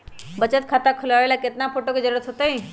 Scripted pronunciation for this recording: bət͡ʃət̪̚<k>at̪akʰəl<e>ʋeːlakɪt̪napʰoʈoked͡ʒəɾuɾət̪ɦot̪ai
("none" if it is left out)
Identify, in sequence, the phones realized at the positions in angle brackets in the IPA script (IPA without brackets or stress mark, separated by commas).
kʰ, a